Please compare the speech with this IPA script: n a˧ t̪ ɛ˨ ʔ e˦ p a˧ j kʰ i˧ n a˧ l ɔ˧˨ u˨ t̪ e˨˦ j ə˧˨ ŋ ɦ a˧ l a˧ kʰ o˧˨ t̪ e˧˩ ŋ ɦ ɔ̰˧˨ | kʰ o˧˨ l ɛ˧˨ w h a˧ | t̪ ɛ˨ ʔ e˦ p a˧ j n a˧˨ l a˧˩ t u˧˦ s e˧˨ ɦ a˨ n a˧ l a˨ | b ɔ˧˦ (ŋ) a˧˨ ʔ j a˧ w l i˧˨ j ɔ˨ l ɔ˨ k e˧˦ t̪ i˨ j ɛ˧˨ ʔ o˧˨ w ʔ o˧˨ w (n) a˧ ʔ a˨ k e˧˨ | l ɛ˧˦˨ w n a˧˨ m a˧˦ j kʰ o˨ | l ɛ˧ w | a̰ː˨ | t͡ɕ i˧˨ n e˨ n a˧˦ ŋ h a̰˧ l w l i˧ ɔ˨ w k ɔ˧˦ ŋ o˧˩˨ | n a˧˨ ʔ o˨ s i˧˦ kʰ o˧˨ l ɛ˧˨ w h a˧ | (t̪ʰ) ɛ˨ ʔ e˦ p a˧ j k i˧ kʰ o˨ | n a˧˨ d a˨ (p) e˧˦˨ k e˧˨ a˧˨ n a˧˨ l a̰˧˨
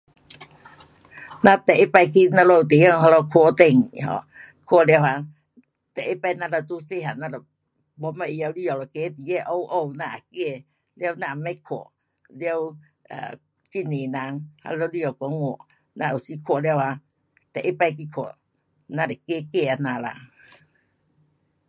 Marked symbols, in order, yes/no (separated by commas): no, yes, no, no